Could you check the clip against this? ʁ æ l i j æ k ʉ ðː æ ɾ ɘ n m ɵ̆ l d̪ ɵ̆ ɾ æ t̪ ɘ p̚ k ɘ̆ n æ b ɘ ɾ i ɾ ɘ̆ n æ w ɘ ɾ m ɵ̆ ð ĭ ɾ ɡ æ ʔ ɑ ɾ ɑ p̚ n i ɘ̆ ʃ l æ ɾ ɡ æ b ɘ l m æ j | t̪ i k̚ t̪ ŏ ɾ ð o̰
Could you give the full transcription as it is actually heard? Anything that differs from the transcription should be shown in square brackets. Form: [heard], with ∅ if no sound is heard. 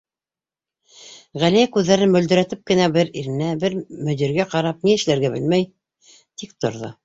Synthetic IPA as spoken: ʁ æ l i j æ k ʉ ðː æ ɾ ɘ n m ɵ̆ l d̪ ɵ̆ ɾ æ t̪ ɘ p̚ k ɘ̆ n æ b ɘ ɾ i ɾ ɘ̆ n æ [b] ɘ ɾ m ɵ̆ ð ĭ ɾ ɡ æ [q] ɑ ɾ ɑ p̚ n i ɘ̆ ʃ l æ ɾ ɡ æ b ɘ l m æ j | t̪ i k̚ t̪ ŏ ɾ ð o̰